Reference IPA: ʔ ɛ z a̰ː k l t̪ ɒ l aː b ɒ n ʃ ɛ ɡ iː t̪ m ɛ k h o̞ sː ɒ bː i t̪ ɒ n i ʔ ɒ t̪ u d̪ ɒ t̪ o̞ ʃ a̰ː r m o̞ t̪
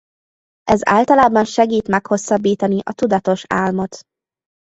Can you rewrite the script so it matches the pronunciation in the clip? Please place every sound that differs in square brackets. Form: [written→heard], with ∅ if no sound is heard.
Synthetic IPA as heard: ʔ ɛ z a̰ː [k→∅] l t̪ ɒ l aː b ɒ n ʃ ɛ ɡ iː t̪ m ɛ k h o̞ sː ɒ bː [i→iː] t̪ ɒ n i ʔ ɒ t̪ u d̪ ɒ t̪ o̞ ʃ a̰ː [r→l] m o̞ t̪